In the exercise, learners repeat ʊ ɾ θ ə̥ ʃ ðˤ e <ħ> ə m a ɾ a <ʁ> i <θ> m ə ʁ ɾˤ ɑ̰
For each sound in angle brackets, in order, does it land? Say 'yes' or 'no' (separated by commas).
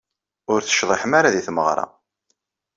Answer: yes, no, yes